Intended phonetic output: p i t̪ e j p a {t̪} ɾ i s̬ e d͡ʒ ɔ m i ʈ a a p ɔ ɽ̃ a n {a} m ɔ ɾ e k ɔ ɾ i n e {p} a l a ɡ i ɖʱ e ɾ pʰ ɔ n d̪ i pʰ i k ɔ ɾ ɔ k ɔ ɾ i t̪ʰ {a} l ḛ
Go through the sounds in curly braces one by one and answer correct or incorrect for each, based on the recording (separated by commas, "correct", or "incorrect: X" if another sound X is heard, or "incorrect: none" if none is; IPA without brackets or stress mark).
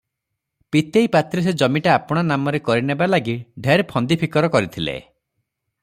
correct, correct, incorrect: b, incorrect: i